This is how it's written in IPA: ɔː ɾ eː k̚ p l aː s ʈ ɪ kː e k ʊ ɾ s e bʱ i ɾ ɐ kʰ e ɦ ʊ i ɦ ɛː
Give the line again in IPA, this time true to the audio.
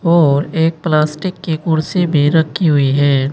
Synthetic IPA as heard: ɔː ɾ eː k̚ p l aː s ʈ ɪ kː e k ʊ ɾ s e bʱ i ɾ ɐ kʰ i ɦ ʊ i ɦ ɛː